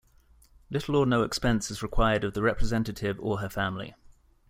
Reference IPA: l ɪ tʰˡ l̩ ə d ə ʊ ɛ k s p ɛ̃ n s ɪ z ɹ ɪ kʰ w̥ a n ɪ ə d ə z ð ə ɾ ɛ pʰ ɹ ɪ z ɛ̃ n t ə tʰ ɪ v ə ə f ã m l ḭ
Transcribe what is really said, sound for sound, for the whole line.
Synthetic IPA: l ɪ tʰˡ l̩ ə n ə ʊ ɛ k s p ɛ̃ n s ɪ z ɹ ɪ kʰ w̥ a ɪ ə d ə v ð ə ɹ ɛ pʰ ɹ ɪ z ɛ̃ n t ə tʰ ɪ v ə ə f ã m l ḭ